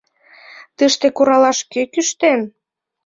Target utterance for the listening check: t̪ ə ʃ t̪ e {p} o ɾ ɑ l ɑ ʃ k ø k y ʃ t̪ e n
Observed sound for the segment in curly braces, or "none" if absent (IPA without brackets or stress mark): k